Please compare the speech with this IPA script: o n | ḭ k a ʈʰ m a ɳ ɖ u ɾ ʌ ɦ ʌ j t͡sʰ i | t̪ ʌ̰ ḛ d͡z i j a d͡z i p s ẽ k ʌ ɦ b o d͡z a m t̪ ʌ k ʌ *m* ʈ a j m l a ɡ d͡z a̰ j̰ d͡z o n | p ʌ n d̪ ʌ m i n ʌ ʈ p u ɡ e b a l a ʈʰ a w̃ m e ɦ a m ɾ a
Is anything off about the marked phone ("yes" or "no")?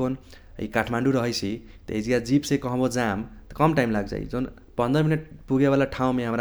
no